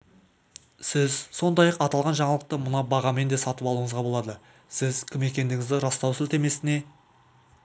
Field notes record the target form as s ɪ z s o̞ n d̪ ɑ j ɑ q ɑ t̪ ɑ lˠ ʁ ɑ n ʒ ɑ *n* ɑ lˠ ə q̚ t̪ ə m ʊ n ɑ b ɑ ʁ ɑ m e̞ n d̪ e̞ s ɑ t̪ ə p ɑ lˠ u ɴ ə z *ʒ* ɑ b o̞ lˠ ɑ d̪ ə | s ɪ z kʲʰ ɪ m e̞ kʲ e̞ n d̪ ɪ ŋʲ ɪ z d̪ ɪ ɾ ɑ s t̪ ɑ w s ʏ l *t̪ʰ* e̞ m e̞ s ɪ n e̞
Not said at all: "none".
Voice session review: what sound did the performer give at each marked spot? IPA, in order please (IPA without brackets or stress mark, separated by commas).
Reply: ɴ, ʁ, t̪